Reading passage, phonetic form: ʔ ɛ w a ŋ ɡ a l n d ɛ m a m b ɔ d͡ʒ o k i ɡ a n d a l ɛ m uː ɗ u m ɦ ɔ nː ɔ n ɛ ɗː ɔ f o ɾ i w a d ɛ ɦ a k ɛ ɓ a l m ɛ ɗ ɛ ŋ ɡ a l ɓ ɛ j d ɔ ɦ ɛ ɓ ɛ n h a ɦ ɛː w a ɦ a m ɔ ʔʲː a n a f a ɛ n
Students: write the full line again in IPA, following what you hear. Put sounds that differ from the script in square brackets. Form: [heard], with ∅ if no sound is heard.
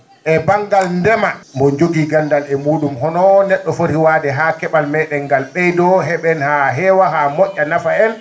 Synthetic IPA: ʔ ɛ [b] a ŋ ɡ a l n d ɛ m a m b ɔ d͡ʒ o [ɡ] i ɡ a n d a l ɛ m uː ɗ u m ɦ ɔ [n] ɔ n ɛ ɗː ɔ f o ɾ i w a d ɛ ɦ a k ɛ ɓ a l m ɛ ɗ ɛ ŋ ɡ a l ɓ ɛ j d ɔ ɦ ɛ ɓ ɛ n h a ɦ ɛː w a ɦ a m ɔ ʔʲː a n a f a ɛ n